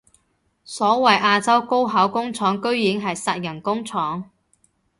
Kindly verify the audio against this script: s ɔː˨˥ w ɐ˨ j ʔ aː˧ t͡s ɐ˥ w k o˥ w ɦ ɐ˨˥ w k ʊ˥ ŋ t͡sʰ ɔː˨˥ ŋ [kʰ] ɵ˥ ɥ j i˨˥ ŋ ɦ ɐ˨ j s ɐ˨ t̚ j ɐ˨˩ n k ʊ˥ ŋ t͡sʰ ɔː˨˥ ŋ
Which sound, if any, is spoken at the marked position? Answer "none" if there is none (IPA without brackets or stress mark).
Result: k